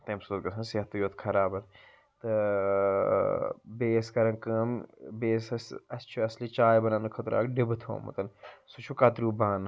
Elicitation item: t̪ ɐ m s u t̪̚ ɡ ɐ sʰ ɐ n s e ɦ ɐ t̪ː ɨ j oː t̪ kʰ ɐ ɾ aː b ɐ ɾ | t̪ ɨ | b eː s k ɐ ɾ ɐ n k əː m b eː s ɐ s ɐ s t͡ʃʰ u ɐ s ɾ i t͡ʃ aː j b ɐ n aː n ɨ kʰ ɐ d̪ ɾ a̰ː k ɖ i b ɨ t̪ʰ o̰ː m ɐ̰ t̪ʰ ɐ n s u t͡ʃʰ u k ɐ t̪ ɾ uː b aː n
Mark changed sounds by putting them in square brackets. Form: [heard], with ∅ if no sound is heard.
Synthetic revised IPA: t̪ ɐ m s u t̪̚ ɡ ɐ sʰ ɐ n s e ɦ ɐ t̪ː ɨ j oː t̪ kʰ ɐ ɾ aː b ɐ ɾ | t̪ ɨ | b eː s k ɐ ɾ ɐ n k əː m b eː s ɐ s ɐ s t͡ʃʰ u ɐ s [l] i t͡ʃ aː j b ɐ n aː n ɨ kʰ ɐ [t̪] ɾ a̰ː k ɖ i b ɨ t̪ʰ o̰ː m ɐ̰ [t̪] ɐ n s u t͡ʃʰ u k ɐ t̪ ɾ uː b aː n